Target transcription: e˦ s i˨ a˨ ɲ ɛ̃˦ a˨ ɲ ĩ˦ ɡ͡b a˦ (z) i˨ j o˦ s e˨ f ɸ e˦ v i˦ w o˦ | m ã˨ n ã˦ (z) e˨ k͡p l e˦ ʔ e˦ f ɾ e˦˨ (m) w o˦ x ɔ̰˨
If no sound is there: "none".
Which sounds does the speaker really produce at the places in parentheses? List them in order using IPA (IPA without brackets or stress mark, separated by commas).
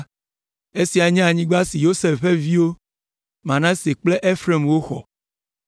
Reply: s, s, m